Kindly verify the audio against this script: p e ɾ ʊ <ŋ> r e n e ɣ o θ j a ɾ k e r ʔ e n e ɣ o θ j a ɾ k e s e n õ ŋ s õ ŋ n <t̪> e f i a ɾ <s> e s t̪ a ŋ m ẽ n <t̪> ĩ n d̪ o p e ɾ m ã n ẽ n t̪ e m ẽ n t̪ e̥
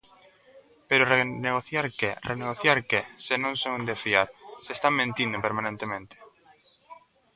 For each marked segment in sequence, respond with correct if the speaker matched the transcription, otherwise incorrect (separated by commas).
incorrect, incorrect, correct, correct